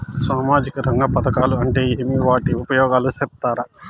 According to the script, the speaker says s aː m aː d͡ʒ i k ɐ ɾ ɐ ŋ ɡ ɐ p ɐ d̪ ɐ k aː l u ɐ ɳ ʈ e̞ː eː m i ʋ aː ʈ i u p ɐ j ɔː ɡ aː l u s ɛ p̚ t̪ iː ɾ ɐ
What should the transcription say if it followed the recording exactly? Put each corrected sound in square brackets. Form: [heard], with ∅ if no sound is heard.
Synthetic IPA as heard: s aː m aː d͡ʒ i k ɐ ɾ ɐ ŋ ɡ ɐ p ɐ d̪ ɐ k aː l u ɐ ɳ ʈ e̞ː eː m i ʋ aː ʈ i u p ɐ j ɔː ɡ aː l u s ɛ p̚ t̪ [aː] ɾ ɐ